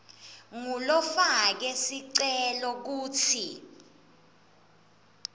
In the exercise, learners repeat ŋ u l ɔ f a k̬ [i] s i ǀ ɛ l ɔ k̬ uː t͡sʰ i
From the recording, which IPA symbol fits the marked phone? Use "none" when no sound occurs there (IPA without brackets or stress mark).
ɛ